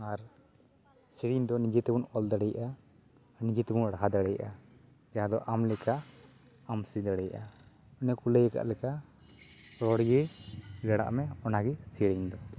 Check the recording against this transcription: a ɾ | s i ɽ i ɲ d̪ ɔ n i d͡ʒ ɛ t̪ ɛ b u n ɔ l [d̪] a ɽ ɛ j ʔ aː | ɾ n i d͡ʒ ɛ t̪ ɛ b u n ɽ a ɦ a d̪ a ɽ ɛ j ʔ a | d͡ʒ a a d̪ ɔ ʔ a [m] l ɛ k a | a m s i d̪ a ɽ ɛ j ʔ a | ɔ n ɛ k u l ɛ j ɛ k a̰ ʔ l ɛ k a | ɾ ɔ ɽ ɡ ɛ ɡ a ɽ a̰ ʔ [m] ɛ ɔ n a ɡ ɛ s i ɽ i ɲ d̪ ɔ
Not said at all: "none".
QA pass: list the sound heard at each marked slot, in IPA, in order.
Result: d̪, m, m

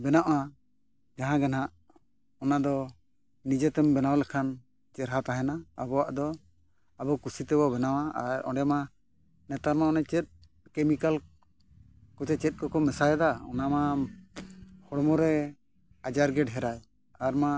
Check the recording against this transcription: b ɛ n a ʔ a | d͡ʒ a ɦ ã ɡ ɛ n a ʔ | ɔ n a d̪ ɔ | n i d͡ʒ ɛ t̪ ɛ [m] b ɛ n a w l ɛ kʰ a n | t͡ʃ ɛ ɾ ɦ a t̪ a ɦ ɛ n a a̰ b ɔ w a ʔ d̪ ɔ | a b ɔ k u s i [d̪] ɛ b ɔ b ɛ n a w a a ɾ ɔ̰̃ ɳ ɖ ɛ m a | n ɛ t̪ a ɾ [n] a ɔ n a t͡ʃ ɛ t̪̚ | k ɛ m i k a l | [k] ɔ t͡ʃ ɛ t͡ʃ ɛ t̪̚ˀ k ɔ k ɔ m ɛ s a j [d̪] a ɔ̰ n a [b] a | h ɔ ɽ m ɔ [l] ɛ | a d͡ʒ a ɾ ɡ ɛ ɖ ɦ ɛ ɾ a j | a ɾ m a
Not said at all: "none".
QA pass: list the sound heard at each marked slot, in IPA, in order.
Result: m, t̪, m, k, d̪, m, ɾ

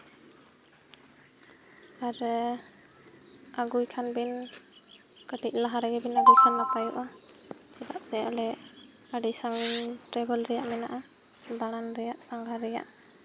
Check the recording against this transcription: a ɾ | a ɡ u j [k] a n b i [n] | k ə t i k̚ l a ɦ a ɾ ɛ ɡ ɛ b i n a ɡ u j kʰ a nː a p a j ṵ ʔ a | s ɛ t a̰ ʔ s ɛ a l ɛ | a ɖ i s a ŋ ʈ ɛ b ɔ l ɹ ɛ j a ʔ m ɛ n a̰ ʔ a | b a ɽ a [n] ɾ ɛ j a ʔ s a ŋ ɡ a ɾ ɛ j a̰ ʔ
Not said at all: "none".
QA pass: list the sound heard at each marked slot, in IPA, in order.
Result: kʰ, n, n

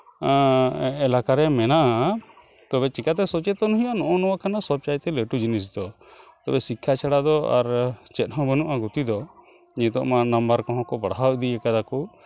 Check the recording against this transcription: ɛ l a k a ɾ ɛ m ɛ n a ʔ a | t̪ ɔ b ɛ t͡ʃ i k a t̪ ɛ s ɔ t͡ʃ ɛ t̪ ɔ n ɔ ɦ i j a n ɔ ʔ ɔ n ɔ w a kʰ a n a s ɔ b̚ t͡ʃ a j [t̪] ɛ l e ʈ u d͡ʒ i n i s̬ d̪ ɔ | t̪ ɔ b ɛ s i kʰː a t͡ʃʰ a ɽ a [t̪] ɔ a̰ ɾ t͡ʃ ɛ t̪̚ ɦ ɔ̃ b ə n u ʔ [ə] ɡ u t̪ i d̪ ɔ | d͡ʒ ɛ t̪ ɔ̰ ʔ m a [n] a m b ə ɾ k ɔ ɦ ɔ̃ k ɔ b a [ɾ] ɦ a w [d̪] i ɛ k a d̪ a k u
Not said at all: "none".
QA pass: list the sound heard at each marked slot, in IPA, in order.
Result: t̪, d̪, a, n, ɽ, d̪

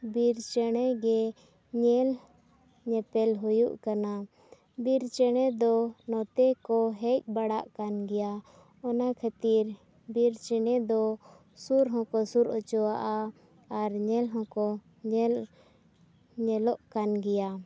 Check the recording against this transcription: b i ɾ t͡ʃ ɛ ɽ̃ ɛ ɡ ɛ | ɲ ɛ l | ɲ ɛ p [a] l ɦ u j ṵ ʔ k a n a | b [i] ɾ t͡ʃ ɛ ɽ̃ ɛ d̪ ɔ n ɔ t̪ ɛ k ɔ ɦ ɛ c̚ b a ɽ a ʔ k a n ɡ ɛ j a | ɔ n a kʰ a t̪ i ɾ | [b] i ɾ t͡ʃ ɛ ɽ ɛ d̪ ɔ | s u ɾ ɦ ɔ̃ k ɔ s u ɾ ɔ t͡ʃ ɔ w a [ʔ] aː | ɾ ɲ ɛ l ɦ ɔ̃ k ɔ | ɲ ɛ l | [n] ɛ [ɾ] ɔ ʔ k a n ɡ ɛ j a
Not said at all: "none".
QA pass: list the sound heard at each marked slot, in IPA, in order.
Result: ɛ, i, b, ʔ, ɲ, l

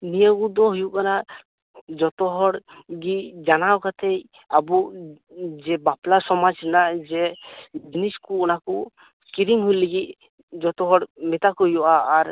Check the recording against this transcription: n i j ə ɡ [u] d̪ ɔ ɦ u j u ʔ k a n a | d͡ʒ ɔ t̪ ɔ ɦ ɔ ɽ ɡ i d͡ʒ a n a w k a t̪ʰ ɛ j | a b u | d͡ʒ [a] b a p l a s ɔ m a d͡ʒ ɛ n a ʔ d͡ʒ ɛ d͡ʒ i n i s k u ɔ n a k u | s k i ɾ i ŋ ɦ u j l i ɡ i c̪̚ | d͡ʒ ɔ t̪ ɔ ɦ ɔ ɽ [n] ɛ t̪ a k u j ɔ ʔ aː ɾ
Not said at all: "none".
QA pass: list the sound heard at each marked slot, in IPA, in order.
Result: u, ɛ, m

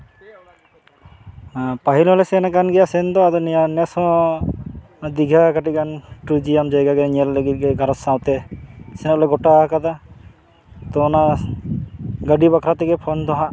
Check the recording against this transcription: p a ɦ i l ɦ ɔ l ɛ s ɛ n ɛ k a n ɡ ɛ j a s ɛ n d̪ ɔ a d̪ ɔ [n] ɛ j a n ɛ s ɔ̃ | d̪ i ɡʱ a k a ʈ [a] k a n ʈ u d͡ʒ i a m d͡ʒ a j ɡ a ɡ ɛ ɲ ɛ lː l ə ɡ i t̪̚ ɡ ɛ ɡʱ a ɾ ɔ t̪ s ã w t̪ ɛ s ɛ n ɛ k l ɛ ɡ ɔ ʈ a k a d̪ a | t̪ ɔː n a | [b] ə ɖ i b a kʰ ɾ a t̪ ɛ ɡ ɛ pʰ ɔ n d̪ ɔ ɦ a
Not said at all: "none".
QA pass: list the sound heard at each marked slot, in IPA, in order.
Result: n, i, ɡ

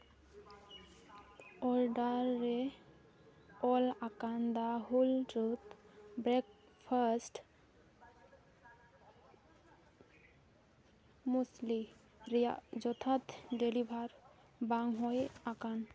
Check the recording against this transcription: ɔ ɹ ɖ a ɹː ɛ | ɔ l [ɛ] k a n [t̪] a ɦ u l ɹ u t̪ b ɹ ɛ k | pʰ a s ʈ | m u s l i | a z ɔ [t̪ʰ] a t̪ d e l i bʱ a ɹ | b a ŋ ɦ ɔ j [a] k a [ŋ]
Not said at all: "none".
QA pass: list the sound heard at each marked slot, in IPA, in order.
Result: a, d̪, t̪ʰ, a, n

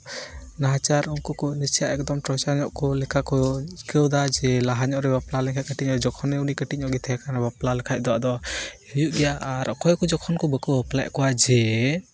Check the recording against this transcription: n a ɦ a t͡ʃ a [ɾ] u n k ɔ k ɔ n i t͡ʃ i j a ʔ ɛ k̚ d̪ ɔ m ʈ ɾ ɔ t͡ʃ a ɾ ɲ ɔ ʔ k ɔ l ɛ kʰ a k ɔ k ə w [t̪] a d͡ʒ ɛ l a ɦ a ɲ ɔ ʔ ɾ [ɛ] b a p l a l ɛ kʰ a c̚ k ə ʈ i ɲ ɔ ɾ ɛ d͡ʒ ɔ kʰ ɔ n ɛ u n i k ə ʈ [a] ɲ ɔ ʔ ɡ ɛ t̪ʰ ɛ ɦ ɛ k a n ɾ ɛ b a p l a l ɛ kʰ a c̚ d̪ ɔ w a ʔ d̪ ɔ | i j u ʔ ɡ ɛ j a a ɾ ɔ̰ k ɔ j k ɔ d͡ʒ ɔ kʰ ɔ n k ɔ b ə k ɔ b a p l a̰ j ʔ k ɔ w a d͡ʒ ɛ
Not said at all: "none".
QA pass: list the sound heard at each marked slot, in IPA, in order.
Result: ɾ, d̪, ɛ, i

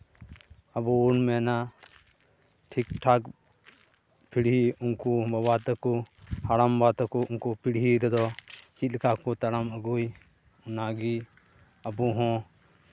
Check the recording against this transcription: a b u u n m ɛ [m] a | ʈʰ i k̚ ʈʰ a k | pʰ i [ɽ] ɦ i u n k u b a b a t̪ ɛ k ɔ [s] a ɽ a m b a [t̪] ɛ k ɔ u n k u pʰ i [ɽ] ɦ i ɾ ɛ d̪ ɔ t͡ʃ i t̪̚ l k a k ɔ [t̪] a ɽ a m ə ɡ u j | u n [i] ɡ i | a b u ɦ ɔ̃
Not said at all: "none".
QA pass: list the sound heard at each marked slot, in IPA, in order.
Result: n, ɽ, h, t̪, ɽ, t̪, a

